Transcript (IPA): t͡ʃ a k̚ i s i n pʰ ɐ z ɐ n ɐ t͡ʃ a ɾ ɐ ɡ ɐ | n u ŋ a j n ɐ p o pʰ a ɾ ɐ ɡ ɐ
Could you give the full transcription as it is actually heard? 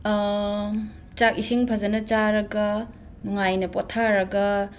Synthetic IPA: t͡ʃ a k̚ i s i ŋ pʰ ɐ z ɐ n ɐ t͡ʃ a ɾ ɐ ɡ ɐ | n u ŋ a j n ɐ p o tʰ a ɾ ɐ ɡ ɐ